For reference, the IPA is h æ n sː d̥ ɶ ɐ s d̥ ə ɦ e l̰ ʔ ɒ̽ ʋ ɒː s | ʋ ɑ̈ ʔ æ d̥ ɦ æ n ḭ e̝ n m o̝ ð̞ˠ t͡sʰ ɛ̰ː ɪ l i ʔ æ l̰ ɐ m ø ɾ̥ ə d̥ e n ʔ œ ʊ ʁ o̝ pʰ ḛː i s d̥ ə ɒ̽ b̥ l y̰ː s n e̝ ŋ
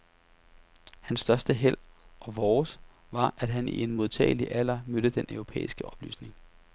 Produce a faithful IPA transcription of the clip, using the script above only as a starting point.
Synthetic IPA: h æ n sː d̥ ɶ ɐ s d̥ ə ɦ e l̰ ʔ ɒ̽ ʋ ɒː s | ʋ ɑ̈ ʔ æ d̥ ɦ æ n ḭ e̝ n m o̝ ð̞ˠ t͡sʰ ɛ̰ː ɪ l i ʔ æ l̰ ɐ m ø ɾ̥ ə d̥ e n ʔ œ ʊ ʁ o̝ pʰ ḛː i s ɡ̥ ə ɒ̽ b̥ l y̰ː s n e̝ ŋ